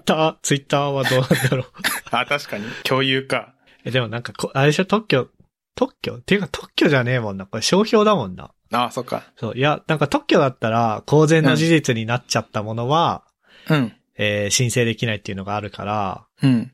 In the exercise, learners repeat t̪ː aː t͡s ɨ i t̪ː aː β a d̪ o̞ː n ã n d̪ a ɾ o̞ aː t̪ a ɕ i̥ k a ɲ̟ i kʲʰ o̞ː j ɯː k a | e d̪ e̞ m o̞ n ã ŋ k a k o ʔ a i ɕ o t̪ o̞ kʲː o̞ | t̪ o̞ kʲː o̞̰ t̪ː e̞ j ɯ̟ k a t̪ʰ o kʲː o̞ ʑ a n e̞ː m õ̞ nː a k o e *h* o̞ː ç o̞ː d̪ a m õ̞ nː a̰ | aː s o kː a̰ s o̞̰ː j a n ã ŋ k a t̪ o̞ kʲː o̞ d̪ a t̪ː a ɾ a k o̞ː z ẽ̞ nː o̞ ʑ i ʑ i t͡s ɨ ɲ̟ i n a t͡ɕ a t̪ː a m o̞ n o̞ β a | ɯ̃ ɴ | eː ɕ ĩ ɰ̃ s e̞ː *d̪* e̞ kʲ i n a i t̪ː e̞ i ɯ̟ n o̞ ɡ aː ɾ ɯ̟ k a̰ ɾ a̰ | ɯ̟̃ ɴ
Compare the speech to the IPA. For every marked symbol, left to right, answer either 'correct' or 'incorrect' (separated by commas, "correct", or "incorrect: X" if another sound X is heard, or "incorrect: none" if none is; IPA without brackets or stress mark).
incorrect: ɕ, correct